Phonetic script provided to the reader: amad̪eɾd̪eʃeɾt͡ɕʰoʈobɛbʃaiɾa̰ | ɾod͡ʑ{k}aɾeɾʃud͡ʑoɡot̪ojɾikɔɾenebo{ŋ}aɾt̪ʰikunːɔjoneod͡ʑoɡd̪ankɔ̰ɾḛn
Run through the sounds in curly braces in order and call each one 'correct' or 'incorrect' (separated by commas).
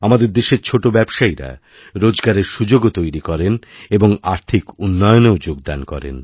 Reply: incorrect, correct